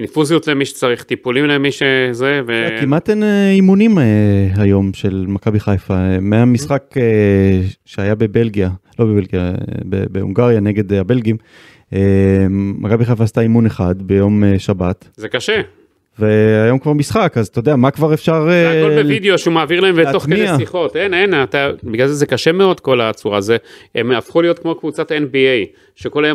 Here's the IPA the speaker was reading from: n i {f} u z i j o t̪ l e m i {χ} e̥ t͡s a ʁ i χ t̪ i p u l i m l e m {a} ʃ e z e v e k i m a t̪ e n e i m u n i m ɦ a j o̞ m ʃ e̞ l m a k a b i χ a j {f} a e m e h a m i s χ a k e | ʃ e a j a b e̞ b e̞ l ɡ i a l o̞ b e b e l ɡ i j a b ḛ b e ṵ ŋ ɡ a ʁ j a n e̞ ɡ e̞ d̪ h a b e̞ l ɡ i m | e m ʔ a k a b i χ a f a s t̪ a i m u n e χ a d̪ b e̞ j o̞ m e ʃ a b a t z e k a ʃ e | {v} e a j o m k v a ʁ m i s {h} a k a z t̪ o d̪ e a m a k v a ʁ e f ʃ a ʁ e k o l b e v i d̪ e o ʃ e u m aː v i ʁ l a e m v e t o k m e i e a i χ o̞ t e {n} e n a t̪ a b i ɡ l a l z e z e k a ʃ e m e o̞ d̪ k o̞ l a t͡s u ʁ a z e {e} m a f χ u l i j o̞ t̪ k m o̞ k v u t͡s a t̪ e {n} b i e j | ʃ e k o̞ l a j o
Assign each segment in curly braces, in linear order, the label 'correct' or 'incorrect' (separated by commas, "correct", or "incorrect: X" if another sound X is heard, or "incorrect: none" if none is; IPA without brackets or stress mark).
correct, incorrect: ʃ, incorrect: i, correct, correct, incorrect: χ, correct, correct, correct